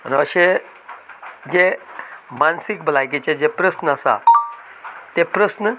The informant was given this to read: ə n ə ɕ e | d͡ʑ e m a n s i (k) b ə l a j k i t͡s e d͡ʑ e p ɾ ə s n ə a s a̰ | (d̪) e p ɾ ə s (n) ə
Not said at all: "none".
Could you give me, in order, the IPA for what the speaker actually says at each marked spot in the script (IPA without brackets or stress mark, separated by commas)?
k, t̪, n